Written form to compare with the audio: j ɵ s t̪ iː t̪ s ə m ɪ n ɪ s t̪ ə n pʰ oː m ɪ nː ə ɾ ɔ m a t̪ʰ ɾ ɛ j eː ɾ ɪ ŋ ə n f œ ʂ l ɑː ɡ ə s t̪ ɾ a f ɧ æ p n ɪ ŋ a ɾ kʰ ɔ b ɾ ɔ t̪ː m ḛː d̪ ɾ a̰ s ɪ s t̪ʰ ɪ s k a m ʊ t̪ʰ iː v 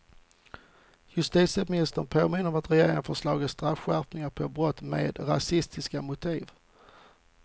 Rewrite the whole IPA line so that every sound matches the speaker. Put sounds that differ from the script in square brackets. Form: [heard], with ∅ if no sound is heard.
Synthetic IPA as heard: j ɵ s t̪ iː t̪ s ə m ɪ n ɪ s t̪ ə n pʰ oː m ɪ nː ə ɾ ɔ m a [t̪] ɾ ɛ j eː ɾ ɪ ŋ ə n f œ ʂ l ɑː ɡ ə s t̪ ɾ a f ɧ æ p n ɪ ŋ a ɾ [pʰ] ɔ b ɾ ɔ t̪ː m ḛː d̪ ɾ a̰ s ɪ s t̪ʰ ɪ s k a m ʊ t̪ʰ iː v